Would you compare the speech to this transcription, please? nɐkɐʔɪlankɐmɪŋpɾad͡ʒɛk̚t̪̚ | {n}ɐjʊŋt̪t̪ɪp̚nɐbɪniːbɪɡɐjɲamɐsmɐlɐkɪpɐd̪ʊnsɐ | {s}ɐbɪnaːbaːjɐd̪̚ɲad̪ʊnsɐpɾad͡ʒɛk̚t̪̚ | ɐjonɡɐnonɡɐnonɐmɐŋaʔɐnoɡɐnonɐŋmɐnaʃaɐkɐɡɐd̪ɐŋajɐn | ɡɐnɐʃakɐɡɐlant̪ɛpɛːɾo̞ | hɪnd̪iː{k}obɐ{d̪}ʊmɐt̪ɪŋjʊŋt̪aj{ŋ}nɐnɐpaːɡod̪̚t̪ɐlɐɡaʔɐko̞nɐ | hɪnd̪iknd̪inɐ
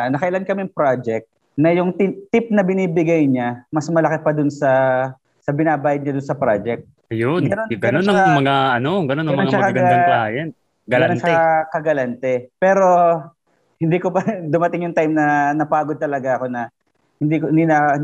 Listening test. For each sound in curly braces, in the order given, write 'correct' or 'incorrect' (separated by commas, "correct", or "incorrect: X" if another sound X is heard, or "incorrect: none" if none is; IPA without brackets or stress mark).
correct, correct, correct, correct, incorrect: m